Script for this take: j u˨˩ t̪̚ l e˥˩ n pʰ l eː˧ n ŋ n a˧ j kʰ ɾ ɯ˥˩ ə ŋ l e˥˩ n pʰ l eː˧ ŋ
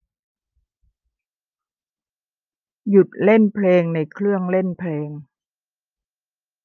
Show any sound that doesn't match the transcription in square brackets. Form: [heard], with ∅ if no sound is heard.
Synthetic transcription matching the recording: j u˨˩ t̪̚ l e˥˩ n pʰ l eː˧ [∅] ŋ n a˧ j kʰ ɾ ɯ˥˩ ə ŋ l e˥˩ n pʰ l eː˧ ŋ

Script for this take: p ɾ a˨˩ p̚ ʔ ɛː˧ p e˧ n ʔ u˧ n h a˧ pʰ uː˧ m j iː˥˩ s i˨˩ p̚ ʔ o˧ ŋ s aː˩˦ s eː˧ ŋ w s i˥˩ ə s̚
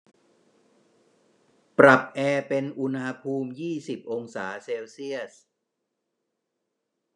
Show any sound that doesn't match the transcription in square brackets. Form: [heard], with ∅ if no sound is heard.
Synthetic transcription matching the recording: p ɾ a˨˩ p̚ ʔ ɛː˧ p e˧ n ʔ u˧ n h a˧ pʰ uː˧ m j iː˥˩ s i˨˩ p̚ ʔ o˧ ŋ s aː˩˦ s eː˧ [∅] w s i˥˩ ə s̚

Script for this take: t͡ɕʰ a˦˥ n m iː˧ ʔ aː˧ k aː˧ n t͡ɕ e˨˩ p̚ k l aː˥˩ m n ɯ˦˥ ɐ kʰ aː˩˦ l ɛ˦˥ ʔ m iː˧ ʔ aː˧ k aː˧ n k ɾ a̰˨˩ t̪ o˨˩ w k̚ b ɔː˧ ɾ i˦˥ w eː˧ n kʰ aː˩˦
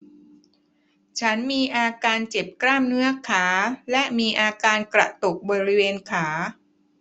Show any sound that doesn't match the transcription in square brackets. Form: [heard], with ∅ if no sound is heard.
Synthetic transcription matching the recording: t͡ɕʰ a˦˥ n m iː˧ ʔ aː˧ k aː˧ n t͡ɕ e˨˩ p̚ k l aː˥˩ m n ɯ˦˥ ɐ kʰ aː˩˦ l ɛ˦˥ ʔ m iː˧ ʔ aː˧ k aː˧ n k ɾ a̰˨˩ t̪ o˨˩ [∅] k̚ b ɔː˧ ɾ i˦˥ w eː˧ n kʰ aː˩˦

